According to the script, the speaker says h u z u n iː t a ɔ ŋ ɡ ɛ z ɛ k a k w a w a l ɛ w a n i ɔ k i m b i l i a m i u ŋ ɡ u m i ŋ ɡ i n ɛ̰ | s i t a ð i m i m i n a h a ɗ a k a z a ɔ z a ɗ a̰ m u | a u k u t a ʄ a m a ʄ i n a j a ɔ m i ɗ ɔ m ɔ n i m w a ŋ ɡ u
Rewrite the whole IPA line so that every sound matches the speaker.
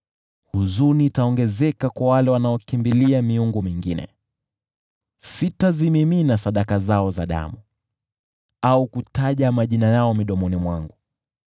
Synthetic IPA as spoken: h u z u n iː t a ɔ ŋ ɡ ɛ z ɛ k a k w a w a l ɛ w a n a ɔ k i m b i l i a m i u ŋ ɡ u m i ŋ ɡ i n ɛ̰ | s i t a z i m i m i n a s a ɗ a k a z a ɔ z a ɗ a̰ m u | a u k u t a ʄ a m a ʄ i n a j a ɔ m i ɗ ɔ m ɔ n i m w a ŋ ɡ u